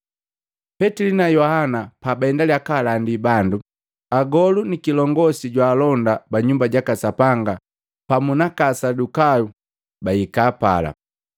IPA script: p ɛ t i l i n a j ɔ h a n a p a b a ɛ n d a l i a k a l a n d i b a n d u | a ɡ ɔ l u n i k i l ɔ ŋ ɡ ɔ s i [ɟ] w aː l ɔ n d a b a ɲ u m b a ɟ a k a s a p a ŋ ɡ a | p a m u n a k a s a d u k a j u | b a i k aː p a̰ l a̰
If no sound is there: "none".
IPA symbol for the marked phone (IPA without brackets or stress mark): ɟ